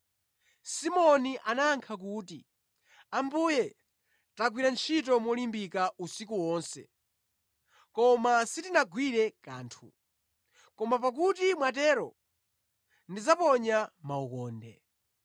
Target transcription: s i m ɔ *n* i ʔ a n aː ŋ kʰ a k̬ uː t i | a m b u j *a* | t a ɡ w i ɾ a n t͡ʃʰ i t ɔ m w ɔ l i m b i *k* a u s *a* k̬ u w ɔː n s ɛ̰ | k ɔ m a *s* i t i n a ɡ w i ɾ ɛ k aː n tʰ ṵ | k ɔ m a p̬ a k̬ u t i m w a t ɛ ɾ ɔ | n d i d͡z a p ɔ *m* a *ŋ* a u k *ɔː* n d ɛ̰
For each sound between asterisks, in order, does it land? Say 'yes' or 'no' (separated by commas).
yes, no, yes, no, yes, no, no, yes